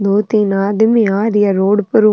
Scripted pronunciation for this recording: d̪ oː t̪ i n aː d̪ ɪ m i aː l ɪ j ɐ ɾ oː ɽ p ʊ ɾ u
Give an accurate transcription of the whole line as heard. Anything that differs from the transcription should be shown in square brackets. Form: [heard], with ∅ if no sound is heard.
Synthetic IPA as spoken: d̪ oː t̪ i n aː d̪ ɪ m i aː [ɾ] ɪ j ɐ ɾ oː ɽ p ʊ ɾ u